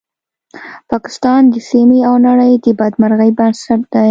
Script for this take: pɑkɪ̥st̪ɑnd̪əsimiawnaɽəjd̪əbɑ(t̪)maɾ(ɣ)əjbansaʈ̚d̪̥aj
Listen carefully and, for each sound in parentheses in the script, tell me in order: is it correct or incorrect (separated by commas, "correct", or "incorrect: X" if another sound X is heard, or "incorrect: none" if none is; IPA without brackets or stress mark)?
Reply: incorrect: d̪, correct